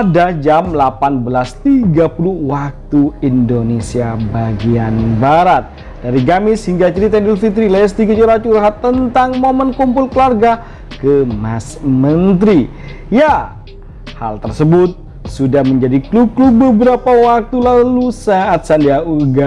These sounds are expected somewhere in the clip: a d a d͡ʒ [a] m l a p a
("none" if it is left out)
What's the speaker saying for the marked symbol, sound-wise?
a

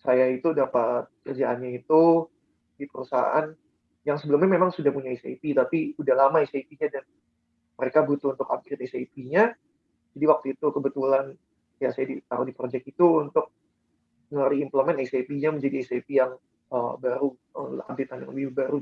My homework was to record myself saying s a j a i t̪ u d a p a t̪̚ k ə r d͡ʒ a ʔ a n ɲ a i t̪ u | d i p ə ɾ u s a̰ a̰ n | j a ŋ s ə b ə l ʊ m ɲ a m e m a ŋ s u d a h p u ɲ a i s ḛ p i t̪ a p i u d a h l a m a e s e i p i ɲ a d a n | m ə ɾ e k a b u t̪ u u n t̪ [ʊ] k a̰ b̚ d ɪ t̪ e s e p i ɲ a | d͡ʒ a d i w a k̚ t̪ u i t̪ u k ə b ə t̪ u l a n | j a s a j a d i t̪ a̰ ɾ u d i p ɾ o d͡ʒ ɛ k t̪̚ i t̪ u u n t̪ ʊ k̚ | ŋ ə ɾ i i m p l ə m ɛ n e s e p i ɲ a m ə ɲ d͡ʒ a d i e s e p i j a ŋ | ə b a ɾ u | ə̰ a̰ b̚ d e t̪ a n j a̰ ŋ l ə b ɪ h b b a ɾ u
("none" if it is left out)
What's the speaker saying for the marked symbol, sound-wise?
ʊ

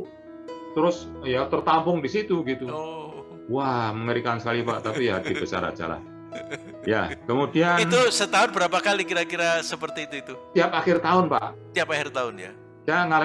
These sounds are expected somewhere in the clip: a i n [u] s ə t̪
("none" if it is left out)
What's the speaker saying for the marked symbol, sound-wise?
u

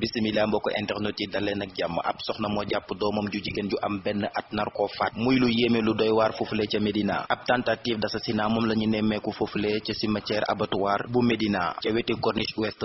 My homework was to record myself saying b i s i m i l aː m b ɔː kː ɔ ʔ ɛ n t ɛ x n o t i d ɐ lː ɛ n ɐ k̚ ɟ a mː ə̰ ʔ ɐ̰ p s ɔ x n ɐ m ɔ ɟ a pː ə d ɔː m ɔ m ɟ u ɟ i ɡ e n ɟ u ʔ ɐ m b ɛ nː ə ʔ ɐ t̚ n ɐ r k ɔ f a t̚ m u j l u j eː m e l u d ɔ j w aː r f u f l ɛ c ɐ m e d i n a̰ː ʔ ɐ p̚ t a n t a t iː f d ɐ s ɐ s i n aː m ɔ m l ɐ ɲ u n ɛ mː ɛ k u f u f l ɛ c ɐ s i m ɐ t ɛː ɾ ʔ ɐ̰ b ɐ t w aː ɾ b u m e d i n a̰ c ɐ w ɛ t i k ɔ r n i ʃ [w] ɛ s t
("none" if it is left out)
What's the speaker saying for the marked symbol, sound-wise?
w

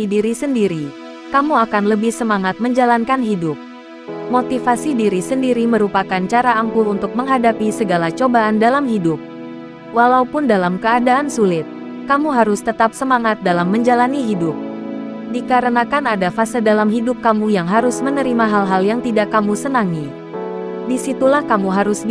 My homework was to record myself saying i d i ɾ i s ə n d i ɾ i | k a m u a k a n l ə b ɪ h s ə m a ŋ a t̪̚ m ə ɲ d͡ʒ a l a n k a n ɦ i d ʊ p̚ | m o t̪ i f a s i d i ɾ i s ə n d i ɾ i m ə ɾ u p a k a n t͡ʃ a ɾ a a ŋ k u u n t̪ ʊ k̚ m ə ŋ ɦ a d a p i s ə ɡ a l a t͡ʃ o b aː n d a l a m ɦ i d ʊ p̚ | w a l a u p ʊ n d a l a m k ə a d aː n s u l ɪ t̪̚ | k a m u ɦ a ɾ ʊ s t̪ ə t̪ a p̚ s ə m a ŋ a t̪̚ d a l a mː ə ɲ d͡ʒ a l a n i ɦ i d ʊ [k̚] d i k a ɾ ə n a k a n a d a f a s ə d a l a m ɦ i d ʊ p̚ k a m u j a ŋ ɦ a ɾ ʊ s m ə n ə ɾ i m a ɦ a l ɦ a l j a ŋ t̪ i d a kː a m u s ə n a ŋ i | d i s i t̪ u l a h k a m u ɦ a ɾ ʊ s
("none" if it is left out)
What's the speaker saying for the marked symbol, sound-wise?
p̚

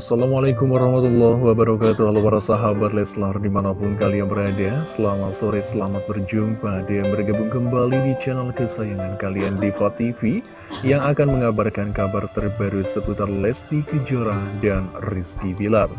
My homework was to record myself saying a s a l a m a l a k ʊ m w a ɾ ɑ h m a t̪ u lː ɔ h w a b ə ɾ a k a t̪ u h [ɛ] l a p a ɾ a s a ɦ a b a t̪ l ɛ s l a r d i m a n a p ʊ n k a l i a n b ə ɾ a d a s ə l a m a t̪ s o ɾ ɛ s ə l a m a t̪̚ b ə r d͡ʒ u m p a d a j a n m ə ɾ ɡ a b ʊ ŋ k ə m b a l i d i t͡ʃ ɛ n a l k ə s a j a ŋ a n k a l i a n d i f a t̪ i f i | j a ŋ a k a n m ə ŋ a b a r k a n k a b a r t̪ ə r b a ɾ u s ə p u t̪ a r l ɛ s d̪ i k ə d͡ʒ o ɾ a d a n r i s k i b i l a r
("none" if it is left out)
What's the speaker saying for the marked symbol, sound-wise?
a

